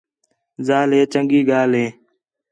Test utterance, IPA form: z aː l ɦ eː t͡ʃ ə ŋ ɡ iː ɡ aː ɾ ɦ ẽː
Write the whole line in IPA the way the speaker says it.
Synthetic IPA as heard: z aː l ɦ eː t͡ʃ ə ŋ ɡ iː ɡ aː l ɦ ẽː